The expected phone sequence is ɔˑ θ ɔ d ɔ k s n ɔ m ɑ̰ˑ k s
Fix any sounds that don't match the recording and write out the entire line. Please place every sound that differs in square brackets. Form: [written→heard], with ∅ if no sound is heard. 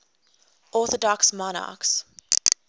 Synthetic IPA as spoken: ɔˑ θ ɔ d ɔ k s [n→m] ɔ [m→n] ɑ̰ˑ k s